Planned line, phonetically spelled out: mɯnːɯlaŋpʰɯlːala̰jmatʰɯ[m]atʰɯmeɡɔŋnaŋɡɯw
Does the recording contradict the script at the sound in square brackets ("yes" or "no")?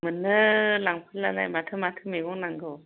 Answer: no